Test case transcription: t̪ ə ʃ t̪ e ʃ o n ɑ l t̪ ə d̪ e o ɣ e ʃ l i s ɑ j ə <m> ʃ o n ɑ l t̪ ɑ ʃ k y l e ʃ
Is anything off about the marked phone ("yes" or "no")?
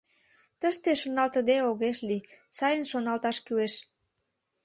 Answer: yes